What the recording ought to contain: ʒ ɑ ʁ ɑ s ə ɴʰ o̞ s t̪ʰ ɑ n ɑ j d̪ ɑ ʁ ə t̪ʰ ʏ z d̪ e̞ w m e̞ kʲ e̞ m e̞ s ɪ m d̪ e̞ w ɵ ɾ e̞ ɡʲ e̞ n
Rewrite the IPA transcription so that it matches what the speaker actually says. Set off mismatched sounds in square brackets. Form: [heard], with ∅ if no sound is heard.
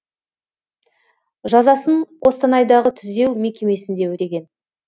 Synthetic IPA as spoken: ʒ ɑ [z] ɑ s ə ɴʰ o̞ s [t̪] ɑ n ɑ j d̪ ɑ ʁ ə t̪ʰ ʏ z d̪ e̞ w m e̞ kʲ e̞ m e̞ s ɪ [n] d̪ e̞ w ɵ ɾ e̞ ɡʲ e̞ n

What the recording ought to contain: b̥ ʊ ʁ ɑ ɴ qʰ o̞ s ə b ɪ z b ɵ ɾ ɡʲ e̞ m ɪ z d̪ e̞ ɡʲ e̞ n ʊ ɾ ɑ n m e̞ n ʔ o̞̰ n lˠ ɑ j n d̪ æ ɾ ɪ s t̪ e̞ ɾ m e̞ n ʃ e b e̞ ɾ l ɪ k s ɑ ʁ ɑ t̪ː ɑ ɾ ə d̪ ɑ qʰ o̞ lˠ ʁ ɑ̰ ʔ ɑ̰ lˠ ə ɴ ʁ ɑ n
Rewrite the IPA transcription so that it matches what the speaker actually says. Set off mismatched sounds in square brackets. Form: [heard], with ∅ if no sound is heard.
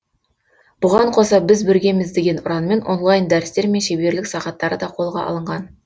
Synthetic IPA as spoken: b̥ ʊ ʁ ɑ ɴ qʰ o̞ s [ɑ] b ɪ z b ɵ ɾ ɡʲ e̞ m ɪ z d̪ e̞ ɡʲ e̞ n ʊ ɾ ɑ n m e̞ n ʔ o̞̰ n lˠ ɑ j n d̪ æ ɾ ɪ s t̪ e̞ ɾ m e̞ n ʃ e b e̞ ɾ l ɪ k s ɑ ʁ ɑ t̪ː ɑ ɾ ə d̪ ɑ qʰ o̞ lˠ ʁ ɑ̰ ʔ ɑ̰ lˠ ə ɴ ʁ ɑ n

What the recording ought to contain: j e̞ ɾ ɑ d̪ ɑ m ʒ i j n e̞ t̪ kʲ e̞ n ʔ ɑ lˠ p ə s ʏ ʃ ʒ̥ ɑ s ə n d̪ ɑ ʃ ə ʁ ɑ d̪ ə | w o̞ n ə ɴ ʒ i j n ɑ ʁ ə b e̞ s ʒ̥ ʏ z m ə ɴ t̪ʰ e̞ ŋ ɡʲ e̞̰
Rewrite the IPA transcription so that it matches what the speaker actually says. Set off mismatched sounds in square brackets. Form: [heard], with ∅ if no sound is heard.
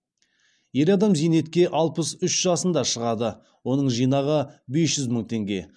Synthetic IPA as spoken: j e̞ ɾ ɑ d̪ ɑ m [z] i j n e̞ t̪ kʲ e̞ [∅] ʔ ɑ lˠ p ə s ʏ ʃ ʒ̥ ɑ s ə n d̪ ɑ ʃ ə ʁ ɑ d̪ ə | w o̞ n ə ɴ ʒ i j n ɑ ʁ ə b e̞ s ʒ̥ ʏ z m ə ɴ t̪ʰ e̞ ŋ ɡʲ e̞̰

